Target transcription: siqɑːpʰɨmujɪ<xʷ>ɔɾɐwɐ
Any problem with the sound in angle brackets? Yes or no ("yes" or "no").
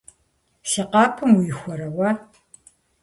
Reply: no